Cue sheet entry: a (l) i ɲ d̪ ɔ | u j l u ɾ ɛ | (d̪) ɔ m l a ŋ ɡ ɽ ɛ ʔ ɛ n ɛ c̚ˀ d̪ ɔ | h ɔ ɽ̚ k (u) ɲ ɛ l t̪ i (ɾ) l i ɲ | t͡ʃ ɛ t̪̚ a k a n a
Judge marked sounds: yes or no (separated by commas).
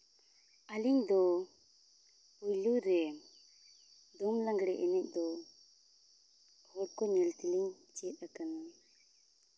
yes, yes, no, no